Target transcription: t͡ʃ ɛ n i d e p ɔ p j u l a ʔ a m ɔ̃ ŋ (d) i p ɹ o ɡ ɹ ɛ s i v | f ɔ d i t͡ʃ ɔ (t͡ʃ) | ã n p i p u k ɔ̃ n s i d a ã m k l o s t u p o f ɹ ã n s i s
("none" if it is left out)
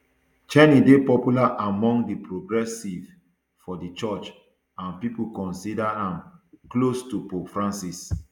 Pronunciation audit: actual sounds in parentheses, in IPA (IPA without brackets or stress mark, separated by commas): d, t͡ʃ